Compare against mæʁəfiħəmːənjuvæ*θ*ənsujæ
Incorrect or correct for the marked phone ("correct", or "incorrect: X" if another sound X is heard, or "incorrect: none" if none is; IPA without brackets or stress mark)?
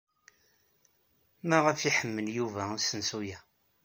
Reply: incorrect: s